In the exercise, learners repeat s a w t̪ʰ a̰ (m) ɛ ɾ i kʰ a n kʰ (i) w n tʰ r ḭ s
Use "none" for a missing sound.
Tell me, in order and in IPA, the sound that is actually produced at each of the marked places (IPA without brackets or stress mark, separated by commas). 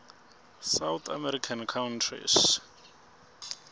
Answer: m, a